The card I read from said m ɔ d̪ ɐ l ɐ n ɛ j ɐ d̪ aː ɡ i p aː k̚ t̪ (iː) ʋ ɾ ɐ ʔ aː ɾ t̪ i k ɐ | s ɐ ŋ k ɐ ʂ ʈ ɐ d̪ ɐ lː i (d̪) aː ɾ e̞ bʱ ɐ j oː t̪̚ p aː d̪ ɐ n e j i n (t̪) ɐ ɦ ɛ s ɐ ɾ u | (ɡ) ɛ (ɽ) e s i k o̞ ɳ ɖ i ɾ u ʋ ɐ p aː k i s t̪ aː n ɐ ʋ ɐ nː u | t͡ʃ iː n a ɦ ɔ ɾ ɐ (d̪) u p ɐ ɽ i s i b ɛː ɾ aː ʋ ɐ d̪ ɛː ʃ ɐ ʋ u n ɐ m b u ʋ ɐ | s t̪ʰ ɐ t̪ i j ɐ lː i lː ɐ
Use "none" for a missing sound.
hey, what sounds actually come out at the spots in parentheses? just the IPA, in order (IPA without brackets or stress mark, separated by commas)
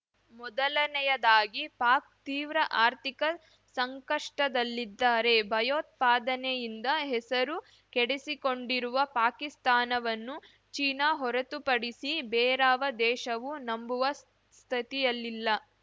iː, d̪ː, d̪, k, ɽ, t̪